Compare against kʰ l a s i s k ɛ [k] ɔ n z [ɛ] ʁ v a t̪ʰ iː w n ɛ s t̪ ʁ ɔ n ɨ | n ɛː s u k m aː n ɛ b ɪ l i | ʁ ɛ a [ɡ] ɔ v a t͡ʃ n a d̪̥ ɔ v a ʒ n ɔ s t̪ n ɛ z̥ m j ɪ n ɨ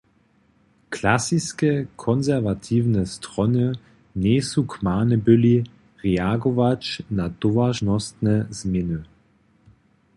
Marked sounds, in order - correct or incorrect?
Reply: incorrect: kʰ, correct, correct

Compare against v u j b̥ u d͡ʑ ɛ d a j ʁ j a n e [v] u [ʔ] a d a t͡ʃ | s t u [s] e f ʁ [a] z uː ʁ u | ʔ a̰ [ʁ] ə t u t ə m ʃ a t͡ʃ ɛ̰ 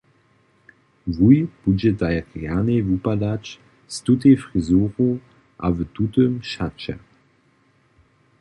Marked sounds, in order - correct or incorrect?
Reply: correct, incorrect: p, incorrect: t, incorrect: i, incorrect: v

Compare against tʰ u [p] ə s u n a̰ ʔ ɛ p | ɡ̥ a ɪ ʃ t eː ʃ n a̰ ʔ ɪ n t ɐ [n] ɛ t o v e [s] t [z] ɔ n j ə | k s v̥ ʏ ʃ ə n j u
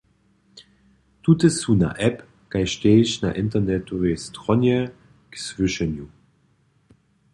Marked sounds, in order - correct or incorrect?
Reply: incorrect: t, correct, correct, incorrect: ʁ

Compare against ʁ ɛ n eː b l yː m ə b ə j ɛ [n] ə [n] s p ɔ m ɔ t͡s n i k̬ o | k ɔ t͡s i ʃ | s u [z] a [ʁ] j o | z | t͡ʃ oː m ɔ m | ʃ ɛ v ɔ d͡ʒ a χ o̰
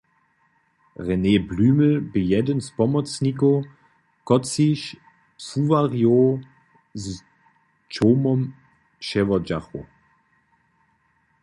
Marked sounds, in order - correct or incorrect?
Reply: incorrect: d, correct, incorrect: v, correct

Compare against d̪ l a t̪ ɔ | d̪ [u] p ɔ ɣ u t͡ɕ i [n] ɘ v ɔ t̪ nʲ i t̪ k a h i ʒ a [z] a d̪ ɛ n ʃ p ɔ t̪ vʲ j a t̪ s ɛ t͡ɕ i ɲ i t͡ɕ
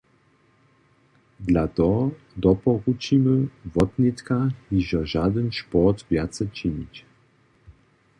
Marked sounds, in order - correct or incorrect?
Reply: incorrect: ɔ, incorrect: m, incorrect: ʒ

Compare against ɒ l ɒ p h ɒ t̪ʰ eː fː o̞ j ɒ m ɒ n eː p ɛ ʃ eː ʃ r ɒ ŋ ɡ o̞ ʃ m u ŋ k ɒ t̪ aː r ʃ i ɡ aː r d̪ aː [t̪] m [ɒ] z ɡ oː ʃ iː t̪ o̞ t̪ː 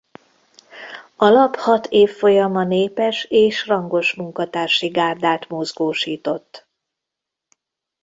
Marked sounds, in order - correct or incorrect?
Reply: correct, incorrect: o

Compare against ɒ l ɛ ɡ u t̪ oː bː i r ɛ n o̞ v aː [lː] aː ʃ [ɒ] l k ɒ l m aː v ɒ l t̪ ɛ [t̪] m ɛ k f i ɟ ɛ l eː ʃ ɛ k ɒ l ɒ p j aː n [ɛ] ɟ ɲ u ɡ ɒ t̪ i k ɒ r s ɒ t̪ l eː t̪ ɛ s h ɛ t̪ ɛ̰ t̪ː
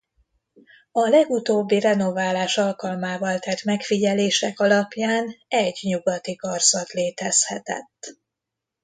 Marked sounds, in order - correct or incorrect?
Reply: incorrect: l, correct, correct, correct

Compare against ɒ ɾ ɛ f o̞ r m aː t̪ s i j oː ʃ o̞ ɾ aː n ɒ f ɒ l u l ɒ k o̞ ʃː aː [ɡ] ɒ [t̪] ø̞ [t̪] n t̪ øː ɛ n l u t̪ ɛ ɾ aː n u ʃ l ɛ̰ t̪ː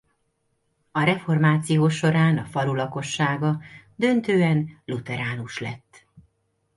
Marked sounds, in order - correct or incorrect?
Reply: correct, incorrect: d̪, incorrect: none

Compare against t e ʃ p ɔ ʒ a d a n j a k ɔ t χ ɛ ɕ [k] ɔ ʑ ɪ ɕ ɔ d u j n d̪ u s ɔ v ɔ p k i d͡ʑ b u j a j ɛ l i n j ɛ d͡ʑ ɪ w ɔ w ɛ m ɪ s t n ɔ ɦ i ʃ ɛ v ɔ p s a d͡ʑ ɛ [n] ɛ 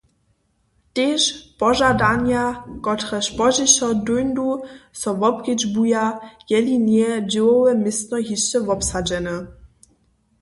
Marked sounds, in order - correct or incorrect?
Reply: incorrect: p, correct

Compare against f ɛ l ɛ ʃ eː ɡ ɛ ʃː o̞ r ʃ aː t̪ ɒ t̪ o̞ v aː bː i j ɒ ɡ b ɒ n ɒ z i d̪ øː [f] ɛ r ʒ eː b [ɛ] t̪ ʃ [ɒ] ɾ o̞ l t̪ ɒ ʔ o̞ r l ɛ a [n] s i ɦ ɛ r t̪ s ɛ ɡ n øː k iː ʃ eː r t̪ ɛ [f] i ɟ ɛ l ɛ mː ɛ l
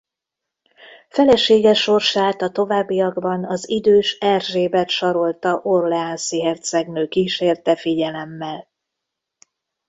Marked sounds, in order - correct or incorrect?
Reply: incorrect: ʃ, correct, correct, correct, correct

